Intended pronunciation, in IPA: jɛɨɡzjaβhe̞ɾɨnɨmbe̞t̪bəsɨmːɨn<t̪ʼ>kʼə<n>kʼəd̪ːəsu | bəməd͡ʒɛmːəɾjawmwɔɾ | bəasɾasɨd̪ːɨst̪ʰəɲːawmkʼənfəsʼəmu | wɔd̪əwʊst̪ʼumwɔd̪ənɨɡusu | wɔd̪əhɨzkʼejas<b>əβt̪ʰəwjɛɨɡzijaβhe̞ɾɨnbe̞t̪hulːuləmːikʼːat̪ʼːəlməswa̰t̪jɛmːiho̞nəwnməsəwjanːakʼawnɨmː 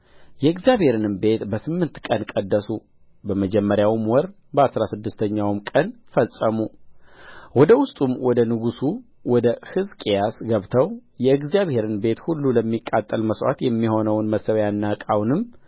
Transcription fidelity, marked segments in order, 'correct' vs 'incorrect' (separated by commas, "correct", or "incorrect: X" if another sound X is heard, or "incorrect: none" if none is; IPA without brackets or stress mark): incorrect: t̪, correct, incorrect: ɡ